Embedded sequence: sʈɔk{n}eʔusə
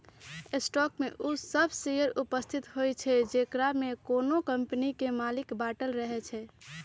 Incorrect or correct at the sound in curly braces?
incorrect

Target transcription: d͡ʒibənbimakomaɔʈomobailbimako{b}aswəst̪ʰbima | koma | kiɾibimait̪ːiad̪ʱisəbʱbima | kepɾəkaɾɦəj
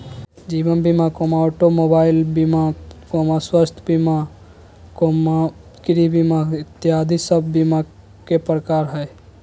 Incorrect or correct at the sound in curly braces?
incorrect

